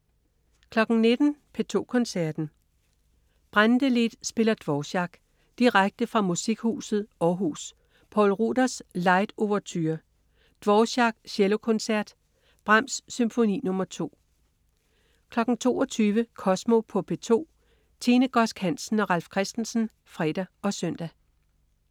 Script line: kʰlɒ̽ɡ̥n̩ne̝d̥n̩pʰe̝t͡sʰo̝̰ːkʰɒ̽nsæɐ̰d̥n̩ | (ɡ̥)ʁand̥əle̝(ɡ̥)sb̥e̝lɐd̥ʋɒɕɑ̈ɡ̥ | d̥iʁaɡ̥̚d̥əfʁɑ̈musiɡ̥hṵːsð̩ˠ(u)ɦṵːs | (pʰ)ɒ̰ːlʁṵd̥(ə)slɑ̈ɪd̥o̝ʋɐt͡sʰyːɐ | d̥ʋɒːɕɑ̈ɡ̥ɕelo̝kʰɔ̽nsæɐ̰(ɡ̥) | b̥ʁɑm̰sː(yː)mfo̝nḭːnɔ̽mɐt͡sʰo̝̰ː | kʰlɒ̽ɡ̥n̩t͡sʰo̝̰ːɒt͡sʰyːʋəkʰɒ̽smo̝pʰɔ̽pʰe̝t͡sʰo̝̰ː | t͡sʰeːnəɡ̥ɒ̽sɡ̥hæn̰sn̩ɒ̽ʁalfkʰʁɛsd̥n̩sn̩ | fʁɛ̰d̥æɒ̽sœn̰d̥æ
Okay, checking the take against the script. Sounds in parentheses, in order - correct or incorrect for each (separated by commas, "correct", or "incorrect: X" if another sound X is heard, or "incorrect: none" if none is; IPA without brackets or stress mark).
incorrect: b̥, incorrect: d̥, incorrect: ɒ, correct, incorrect: ɐ, incorrect: d̥, incorrect: y